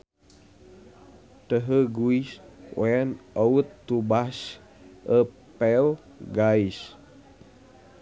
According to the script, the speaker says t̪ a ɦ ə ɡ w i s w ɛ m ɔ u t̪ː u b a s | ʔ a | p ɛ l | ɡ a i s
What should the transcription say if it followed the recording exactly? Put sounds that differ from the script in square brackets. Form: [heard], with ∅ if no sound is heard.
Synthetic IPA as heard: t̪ [ə] ɦ ə ɡ [u] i s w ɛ [n] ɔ u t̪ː u b a s | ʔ [ə] | p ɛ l | ɡ a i s